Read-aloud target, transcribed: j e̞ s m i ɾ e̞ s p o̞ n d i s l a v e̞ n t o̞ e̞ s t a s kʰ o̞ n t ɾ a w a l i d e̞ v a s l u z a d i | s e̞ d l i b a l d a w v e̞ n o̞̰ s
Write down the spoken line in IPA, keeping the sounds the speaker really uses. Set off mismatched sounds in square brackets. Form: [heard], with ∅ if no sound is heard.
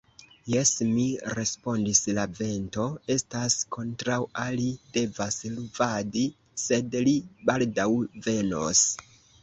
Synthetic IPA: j e̞ s m i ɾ e̞ s p o̞ n d i s l a v e̞ n t o̞ e̞ s t a s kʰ o̞ n t ɾ a w a l i d e̞ v a s l u [v] a d i | s e̞ d l i b a l d a w v e̞ n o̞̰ s